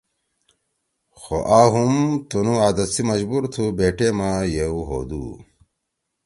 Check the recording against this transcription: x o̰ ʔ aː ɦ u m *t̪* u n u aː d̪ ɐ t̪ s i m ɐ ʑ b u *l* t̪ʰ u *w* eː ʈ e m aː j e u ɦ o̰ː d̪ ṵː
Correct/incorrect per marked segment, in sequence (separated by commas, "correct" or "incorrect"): correct, incorrect, incorrect